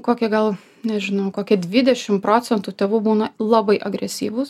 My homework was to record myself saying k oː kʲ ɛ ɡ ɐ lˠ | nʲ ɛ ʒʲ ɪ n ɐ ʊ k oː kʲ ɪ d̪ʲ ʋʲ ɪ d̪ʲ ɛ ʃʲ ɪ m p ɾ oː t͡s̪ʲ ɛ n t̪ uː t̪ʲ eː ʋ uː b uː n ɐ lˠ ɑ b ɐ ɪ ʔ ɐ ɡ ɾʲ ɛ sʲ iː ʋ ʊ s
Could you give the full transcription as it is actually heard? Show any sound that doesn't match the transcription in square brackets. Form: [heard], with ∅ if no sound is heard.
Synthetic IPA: k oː kʲ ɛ ɡ ɐ lˠ | nʲ ɛ ʒʲ ɪ n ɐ ʊ k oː kʲ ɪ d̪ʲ ʋʲ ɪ d̪ʲ ɛ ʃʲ ɪ m p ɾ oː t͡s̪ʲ ɛ n t̪ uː t̪ʲ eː ʋ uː b uː n ɐ lˠ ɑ b ɐ ɪ ʔ ɐ ɡ ɾʲ ɛ sʲ iː ʋ ʊ s

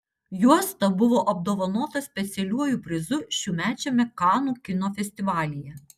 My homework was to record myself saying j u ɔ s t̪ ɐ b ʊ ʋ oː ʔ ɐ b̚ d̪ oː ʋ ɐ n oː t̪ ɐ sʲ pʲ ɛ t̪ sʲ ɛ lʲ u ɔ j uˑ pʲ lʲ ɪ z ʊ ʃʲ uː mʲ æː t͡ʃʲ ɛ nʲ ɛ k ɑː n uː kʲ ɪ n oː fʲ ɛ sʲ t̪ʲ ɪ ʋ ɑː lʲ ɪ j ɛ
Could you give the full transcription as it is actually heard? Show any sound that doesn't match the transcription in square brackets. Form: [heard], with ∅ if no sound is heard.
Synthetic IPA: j u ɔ s t̪ ɐ b ʊ ʋ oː ʔ ɐ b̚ d̪ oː ʋ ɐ n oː t̪ ɐ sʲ pʲ ɛ t̪ sʲ ɛ lʲ u ɔ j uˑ pʲ [ɾʲ] ɪ z ʊ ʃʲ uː mʲ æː t͡ʃʲ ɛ [mʲ] ɛ k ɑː n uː kʲ ɪ n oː fʲ ɛ sʲ t̪ʲ ɪ ʋ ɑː lʲ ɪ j ɛ

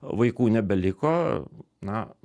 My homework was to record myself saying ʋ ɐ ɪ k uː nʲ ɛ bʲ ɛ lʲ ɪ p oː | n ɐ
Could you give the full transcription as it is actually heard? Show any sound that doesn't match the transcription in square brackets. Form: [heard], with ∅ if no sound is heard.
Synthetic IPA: ʋ ɐ ɪ k uː nʲ ɛ bʲ ɛ lʲ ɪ [k] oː | n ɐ

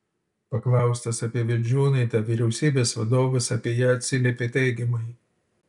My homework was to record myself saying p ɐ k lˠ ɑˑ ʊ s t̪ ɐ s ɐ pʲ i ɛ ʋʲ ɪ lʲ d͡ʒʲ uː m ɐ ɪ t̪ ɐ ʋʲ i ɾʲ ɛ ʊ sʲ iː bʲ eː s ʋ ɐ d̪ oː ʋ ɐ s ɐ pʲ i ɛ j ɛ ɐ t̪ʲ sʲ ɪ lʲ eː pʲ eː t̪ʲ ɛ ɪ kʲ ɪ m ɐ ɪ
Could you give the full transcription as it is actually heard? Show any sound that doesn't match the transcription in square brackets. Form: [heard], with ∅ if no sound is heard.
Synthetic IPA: p ɐ k lˠ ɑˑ ʊ s t̪ ɐ s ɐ pʲ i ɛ ʋʲ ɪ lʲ d͡ʒʲ uː [n] ɐ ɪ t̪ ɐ ʋʲ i ɾʲ ɛ ʊ sʲ iː bʲ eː s ʋ ɐ d̪ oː ʋ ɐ s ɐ pʲ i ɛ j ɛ ɐ t̪ʲ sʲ ɪ lʲ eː pʲ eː t̪ʲ ɛ ɪ [ɡʲ] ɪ m ɐ ɪ

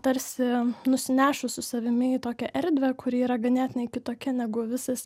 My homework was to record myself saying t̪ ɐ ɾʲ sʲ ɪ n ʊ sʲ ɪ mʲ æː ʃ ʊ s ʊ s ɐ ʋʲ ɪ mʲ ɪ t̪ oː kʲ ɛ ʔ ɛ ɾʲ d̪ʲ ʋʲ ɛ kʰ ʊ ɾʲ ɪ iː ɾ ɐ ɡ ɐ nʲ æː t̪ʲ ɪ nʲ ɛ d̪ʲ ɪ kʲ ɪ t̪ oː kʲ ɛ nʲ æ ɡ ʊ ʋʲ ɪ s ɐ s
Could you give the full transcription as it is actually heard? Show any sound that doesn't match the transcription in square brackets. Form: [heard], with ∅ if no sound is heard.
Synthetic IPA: t̪ ɐ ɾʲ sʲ ɪ n ʊ sʲ ɪ [nʲ] æː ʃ ʊ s ʊ s ɐ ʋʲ ɪ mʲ ɪ t̪ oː kʲ ɛ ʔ ɛ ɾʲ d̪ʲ ʋʲ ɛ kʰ ʊ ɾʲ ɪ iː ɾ ɐ ɡ ɐ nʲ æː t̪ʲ ɪ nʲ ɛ [∅] ɪ kʲ ɪ t̪ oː kʲ ɛ nʲ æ ɡ ʊ ʋʲ ɪ s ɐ s

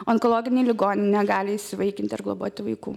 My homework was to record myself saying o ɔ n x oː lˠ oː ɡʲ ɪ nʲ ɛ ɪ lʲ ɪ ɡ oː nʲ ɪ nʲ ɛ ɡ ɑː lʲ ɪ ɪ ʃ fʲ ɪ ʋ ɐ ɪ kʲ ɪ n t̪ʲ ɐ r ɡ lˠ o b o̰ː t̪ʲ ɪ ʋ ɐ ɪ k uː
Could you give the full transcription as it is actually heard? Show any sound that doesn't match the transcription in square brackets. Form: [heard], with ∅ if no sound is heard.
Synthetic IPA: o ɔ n [k] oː lˠ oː ɡʲ ɪ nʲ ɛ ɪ lʲ ɪ ɡ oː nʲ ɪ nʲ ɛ ɡ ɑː lʲ ɪ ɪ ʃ [sʲ] ɪ ʋ ɐ ɪ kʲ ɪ n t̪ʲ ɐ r ɡ lˠ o b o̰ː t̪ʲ ɪ ʋ ɐ ɪ k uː

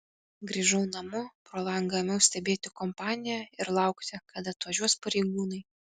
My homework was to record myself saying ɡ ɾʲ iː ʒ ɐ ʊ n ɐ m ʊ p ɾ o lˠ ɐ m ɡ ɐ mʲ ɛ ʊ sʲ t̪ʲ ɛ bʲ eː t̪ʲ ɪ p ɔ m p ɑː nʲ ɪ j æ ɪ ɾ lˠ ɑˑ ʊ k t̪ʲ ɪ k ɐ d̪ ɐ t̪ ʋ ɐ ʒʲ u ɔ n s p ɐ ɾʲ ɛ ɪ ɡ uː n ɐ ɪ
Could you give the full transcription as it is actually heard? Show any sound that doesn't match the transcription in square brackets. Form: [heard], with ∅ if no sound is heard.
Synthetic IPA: ɡ ɾʲ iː ʒ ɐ ʊ n ɐ m ʊ p ɾ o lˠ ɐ [ŋ] ɡ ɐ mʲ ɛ ʊ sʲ t̪ʲ ɛ bʲ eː t̪ʲ ɪ [k] ɔ m p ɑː nʲ ɪ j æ ɪ ɾ lˠ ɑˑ ʊ k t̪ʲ ɪ k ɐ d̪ ɐ t̪ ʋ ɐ ʒʲ u ɔ [∅] s p ɐ ɾʲ ɛ ɪ ɡ uː n ɐ ɪ

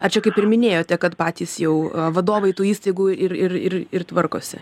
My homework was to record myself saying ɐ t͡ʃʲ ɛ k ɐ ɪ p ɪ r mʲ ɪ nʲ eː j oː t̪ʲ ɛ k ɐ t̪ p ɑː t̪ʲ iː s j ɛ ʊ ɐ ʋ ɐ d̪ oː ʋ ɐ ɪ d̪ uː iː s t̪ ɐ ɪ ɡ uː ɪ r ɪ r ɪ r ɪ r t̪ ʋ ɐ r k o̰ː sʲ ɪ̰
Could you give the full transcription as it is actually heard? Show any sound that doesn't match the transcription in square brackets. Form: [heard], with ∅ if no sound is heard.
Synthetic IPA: ɐ t͡ʃʲ ɛ k ɐ ɪ p ɪ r mʲ ɪ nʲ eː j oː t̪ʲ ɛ k ɐ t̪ p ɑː t̪ʲ iː s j ɛ ʊ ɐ ʋ ɐ d̪ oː ʋ ɐ ɪ [t̪] uː iː s t̪ ɐ ɪ ɡ uː ɪ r ɪ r ɪ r ɪ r t̪ ʋ ɐ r k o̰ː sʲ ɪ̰

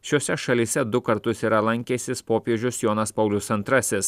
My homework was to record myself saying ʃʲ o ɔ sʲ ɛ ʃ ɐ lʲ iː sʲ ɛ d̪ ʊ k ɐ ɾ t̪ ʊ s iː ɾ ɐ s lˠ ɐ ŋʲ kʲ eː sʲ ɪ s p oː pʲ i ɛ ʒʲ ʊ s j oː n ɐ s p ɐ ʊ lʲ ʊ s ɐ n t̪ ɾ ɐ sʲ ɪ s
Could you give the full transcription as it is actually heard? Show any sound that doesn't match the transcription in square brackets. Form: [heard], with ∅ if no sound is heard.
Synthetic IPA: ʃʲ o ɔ sʲ ɛ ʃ ɐ lʲ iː sʲ ɛ d̪ ʊ k ɐ ɾ t̪ ʊ s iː ɾ ɐ [∅] lˠ ɐ ŋʲ kʲ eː sʲ ɪ s p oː pʲ i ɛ ʒʲ ʊ s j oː n ɐ s p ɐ ʊ lʲ ʊ s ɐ n t̪ ɾ ɐ sʲ ɪ s

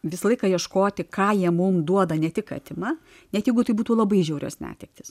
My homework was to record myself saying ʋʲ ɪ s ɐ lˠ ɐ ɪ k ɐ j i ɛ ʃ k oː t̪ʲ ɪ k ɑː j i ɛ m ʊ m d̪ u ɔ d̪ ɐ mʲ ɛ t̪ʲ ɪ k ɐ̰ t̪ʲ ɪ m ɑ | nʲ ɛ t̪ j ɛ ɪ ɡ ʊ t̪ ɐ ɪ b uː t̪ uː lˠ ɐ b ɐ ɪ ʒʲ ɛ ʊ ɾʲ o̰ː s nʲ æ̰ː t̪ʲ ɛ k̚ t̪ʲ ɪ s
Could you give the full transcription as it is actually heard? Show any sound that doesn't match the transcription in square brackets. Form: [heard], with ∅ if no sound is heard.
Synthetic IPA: ʋʲ ɪ s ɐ lˠ ɐ ɪ k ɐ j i ɛ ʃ k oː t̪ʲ ɪ k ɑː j i ɛ m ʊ m d̪ u ɔ d̪ ɐ [nʲ] ɛ t̪ʲ ɪ k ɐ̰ t̪ʲ ɪ m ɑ | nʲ ɛ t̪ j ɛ ɪ ɡ ʊ t̪ ɐ ɪ b uː t̪ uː lˠ ɐ b ɐ ɪ ʒʲ ɛ ʊ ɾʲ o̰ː s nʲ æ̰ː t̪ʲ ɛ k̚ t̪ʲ ɪ s

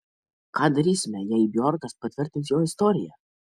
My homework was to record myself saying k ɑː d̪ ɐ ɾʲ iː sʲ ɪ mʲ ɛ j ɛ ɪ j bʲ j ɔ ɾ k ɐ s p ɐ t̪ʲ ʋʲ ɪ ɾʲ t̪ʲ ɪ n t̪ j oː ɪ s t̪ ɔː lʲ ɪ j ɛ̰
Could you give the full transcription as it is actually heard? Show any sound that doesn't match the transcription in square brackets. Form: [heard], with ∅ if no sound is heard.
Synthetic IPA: k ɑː d̪ ɐ ɾʲ iː sʲ ɪ mʲ ɛ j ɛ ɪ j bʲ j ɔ ɾ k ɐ s p ɐ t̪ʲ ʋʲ ɪ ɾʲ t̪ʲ ɪ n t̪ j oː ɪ s t̪ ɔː [ɾʲ] ɪ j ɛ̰

